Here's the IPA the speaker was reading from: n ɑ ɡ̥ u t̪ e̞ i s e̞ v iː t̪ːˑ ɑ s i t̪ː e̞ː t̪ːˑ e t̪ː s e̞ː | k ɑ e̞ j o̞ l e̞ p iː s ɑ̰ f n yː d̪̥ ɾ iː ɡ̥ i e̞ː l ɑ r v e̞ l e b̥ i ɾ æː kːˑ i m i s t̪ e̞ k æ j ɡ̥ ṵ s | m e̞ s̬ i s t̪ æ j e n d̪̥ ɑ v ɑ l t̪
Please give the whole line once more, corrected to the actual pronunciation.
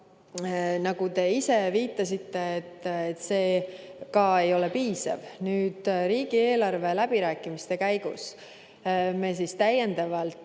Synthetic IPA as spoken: n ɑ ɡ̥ u t̪ e̞ i s e̞ v iː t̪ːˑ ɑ s i t̪ː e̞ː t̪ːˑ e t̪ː s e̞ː | k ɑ e̞ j o̞ l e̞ p iː s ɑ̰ v n yː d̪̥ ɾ iː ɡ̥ i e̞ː l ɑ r v e̞ l æ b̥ i ɾ æː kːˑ i m i s t̪ e̞ k æ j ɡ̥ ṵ s | m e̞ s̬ i s t̪ æ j e n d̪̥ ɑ v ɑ l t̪